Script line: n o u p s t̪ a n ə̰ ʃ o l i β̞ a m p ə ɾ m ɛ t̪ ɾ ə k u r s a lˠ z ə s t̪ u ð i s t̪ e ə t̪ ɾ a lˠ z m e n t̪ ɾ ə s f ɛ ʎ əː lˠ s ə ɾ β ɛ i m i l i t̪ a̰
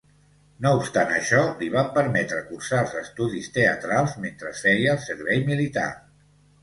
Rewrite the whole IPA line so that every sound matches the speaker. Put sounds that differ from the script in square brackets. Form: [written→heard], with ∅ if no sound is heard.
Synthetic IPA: n o u p s t̪ a n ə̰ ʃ [o→ɔ] l i β̞ a m p ə ɾ m ɛ t̪ ɾ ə k u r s a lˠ z ə s t̪ u ð i s t̪ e ə t̪ ɾ a lˠ z m e n t̪ ɾ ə s f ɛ [ʎ→j] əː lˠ s ə ɾ β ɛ [i→j] m i l i t̪ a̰